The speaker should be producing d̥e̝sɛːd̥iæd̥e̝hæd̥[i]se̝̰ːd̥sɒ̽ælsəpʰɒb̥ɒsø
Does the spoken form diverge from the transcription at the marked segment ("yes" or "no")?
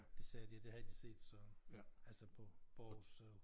no